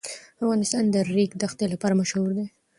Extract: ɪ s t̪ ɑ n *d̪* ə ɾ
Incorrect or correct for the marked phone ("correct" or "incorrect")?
correct